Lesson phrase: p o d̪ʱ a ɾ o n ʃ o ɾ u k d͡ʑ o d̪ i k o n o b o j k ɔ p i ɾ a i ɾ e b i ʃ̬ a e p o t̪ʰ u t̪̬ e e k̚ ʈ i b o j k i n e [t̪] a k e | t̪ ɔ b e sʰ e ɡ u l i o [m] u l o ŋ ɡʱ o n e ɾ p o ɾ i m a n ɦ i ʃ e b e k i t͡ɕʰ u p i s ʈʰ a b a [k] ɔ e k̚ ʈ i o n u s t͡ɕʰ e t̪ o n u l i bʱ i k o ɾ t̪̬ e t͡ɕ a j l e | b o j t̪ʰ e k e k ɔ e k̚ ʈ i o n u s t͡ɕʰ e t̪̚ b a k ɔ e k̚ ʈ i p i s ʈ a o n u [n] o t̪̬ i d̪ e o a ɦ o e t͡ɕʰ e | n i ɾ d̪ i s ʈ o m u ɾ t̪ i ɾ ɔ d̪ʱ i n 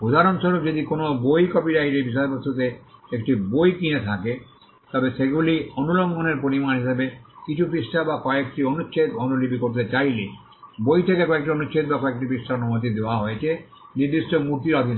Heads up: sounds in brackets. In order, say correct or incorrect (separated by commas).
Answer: incorrect, incorrect, correct, incorrect